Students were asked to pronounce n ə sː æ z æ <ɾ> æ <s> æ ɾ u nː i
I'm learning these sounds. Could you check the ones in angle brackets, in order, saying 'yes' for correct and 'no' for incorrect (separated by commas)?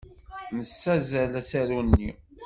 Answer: no, yes